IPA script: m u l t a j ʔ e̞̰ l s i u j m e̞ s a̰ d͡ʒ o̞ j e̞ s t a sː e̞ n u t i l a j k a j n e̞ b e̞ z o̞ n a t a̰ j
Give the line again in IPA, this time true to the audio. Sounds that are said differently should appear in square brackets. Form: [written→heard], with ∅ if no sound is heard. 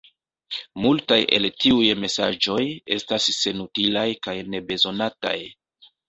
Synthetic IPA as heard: m u l t a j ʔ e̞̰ l [s→t] i u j m e̞ s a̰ d͡ʒ o̞ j e̞ s t a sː e̞ n u t i l a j k a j n e̞ b e̞ z o̞ n a t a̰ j